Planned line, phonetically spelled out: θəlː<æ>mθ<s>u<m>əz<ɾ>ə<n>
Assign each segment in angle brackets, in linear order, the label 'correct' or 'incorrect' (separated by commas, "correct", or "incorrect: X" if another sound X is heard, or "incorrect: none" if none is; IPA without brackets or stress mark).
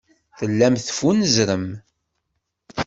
correct, incorrect: f, incorrect: n, correct, incorrect: m